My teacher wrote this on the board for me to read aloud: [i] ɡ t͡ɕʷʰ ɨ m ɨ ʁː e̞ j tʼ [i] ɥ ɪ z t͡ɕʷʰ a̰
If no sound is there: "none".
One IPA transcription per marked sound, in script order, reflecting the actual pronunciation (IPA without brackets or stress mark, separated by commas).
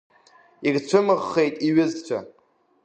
i, i